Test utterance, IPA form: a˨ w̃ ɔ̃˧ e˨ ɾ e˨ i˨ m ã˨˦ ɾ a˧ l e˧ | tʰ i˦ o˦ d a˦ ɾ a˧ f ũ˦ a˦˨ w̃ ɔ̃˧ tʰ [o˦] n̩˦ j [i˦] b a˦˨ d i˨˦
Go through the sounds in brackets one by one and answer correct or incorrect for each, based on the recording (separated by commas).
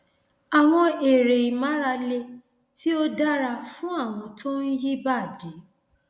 correct, correct